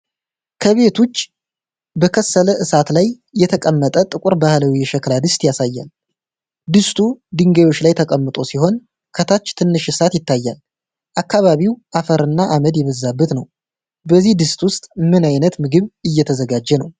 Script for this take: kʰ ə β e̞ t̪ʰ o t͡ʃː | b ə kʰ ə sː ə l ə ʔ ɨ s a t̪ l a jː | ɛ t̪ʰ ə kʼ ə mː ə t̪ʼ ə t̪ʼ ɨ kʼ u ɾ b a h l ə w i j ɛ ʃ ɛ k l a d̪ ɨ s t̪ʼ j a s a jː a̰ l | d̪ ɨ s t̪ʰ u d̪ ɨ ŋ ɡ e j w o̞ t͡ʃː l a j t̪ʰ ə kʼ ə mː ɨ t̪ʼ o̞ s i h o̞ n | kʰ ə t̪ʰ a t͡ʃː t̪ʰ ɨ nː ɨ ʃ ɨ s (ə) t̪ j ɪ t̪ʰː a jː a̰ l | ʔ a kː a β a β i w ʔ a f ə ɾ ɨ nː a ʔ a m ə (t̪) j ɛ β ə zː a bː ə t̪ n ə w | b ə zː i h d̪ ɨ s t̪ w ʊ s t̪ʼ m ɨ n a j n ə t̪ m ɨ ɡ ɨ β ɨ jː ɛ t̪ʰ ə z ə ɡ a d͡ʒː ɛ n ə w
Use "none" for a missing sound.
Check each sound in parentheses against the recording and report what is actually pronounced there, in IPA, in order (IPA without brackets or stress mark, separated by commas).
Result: a, d̪